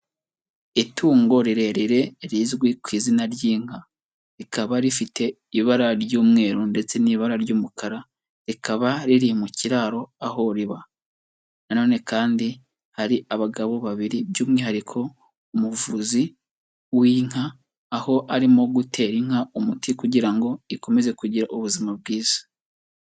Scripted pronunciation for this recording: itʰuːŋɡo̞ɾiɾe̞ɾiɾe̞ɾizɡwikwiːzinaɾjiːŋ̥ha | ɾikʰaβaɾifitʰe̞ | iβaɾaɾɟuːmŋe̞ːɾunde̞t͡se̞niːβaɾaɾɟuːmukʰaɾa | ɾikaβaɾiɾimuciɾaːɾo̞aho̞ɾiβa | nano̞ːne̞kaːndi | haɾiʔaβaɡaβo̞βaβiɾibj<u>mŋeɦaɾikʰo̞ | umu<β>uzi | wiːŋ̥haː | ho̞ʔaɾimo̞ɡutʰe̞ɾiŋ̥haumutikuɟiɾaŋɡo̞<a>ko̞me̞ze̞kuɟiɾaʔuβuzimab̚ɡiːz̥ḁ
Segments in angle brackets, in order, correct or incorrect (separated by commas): incorrect, incorrect, incorrect